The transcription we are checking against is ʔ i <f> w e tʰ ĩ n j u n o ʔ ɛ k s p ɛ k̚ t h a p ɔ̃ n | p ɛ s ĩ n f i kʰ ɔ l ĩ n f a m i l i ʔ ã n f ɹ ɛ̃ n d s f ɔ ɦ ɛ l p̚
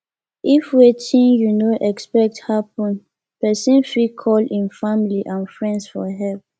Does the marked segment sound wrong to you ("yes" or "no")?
no